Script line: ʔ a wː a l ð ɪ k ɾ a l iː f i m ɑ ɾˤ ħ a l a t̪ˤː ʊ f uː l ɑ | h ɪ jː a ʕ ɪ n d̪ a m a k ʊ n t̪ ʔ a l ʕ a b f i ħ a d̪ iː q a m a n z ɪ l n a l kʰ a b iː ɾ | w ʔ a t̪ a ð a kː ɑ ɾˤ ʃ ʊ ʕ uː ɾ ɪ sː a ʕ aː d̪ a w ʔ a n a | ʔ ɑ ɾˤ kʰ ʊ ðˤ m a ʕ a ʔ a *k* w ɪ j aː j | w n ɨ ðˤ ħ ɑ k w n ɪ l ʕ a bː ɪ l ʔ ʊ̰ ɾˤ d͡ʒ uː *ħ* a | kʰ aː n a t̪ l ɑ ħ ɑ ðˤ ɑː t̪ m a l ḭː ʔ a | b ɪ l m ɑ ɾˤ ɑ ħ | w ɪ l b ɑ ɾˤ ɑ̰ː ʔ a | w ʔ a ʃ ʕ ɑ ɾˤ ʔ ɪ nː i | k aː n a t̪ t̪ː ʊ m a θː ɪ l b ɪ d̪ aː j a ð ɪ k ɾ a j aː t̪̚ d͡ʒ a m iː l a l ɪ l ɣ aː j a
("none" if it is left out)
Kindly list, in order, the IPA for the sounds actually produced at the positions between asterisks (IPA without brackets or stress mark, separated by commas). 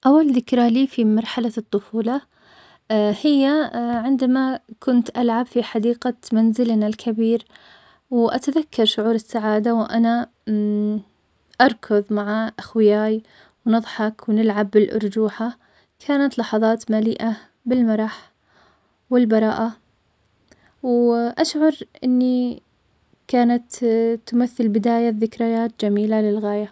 x, ħ